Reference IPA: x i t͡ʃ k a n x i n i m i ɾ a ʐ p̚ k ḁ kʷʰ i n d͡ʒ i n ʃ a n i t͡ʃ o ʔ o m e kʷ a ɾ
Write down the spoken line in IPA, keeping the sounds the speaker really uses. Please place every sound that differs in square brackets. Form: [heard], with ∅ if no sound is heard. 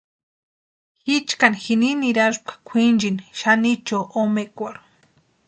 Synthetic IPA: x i t͡ʃ k a n x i n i [n] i ɾ a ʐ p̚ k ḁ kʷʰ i n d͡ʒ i n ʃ a n i t͡ʃ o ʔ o m e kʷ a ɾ